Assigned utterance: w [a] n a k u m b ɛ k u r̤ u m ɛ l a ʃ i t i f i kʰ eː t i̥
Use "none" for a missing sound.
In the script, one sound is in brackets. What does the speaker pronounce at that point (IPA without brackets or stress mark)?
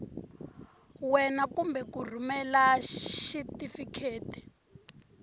ɛ